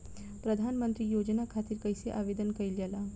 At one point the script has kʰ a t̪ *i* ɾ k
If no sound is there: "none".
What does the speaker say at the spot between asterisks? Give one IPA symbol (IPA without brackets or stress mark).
iː